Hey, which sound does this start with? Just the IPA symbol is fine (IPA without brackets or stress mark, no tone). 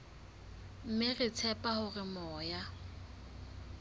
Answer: m̩